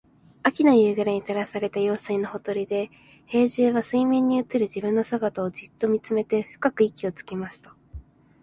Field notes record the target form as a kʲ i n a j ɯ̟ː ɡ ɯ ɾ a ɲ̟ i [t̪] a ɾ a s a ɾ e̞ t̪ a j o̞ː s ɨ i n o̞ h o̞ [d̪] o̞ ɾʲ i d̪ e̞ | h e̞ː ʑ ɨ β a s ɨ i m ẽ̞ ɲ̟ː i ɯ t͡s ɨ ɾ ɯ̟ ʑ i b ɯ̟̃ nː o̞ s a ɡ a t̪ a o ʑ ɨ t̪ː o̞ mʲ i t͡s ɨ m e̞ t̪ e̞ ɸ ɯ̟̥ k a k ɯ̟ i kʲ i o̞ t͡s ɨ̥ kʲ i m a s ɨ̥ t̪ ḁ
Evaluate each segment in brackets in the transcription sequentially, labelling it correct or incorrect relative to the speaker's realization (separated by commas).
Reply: correct, incorrect